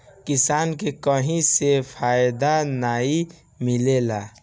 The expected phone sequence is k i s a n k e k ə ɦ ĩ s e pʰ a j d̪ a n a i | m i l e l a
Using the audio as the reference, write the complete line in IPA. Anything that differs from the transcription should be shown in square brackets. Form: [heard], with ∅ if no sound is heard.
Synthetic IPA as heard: k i s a n k e k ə ɦ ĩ s e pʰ a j d̪ a n a i | m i l e l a